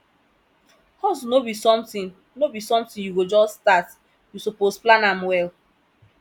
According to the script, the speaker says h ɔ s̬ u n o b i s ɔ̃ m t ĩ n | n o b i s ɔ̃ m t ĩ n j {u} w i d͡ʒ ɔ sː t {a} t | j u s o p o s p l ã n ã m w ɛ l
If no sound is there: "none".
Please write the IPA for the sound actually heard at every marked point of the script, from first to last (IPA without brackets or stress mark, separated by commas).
u, a